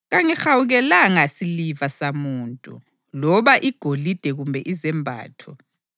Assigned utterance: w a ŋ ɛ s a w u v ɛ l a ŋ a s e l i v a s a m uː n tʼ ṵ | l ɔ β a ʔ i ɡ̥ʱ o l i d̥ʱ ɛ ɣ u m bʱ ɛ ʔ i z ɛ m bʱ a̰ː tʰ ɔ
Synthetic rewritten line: ɣ a ŋ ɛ x a w u ɣ ɛ l a ŋ a s i l i v a s a m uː n tʼ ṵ | l ɔ β a ʔ i ɡ̥ʱ o l i d̥ʱ ɛ ɣ u m bʱ ɛ ʔ i z ɛ m bʱ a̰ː tʰ ɔ